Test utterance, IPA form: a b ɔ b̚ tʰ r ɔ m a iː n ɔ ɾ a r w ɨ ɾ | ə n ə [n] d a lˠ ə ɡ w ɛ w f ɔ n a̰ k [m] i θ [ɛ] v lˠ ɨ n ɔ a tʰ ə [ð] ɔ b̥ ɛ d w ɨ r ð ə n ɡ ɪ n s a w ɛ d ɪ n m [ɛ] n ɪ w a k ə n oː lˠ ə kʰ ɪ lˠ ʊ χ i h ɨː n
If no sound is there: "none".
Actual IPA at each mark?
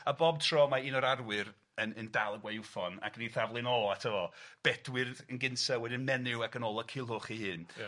n, n, a, v, ɛ

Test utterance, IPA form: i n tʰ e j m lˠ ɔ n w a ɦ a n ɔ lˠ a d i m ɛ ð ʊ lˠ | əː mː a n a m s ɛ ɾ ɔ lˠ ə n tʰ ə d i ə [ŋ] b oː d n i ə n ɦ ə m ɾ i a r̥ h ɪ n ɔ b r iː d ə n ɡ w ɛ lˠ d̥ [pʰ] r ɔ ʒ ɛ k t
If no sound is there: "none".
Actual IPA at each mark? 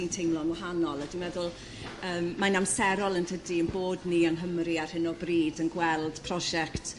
n, pʰ

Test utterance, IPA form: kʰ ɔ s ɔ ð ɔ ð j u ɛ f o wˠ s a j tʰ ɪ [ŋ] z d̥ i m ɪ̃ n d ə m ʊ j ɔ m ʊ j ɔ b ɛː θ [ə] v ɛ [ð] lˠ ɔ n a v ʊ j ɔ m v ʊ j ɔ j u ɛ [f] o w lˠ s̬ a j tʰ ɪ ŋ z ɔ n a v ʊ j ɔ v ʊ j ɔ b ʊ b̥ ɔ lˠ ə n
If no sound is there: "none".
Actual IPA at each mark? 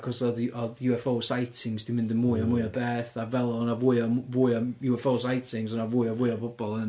ŋ, a, none, f

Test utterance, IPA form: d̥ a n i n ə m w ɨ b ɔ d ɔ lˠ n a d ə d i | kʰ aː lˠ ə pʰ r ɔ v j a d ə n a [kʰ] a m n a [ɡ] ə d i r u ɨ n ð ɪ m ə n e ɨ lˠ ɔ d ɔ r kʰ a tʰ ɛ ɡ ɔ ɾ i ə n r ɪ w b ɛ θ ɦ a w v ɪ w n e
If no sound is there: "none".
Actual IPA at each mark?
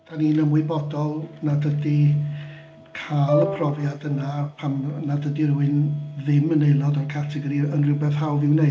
pʰ, d

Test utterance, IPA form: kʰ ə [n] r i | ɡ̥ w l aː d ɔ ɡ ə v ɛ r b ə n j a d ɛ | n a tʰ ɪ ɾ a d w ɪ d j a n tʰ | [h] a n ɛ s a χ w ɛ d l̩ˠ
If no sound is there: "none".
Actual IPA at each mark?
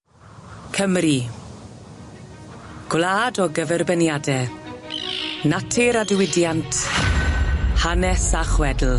m, h

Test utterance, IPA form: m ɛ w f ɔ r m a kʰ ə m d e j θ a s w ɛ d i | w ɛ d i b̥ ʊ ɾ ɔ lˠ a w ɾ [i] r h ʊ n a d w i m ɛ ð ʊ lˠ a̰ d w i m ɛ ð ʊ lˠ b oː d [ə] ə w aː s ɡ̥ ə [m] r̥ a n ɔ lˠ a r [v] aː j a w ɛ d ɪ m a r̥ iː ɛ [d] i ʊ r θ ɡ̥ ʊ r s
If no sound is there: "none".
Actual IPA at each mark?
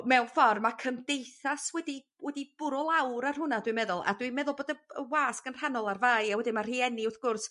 a, ə, n, v, n

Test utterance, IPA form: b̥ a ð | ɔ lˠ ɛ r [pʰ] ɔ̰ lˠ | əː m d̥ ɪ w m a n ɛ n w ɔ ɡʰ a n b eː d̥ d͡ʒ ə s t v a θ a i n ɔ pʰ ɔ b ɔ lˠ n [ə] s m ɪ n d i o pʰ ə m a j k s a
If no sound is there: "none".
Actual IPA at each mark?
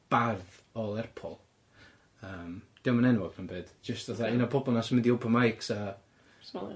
pʰ, a

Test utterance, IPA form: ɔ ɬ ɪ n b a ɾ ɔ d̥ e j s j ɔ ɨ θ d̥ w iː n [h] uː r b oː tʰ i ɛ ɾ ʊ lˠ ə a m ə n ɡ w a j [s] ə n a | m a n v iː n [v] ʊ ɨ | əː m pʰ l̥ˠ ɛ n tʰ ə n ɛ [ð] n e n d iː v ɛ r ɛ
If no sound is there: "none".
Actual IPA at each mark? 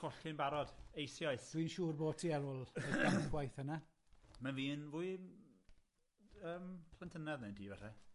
ʃ, θ, v, ð

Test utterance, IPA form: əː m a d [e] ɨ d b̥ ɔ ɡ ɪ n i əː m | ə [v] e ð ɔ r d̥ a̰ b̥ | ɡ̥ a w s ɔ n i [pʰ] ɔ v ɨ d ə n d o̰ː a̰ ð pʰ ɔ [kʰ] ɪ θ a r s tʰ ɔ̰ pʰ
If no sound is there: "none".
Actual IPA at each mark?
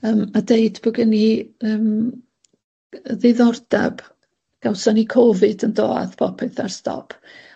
e, ð, kʰ, pʰ

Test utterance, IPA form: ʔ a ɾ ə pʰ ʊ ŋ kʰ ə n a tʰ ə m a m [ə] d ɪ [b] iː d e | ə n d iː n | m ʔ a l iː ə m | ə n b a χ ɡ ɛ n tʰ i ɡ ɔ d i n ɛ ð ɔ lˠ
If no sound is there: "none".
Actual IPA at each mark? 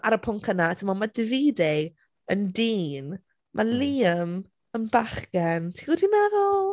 a, v

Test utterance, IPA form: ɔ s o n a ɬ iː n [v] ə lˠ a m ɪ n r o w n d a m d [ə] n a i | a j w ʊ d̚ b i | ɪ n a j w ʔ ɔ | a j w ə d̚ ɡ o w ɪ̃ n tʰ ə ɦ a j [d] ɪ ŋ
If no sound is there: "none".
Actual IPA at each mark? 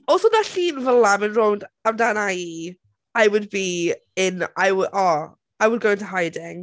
v, a, d

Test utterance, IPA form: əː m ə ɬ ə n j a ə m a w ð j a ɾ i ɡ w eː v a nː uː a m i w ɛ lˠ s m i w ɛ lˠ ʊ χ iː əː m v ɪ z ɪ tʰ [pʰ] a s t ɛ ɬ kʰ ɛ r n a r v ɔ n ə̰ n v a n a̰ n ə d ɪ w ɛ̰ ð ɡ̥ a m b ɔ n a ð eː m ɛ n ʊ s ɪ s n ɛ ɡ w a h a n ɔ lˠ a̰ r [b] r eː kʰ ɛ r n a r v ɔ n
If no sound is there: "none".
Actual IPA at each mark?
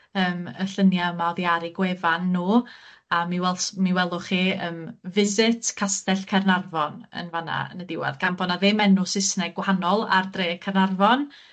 kʰ, d

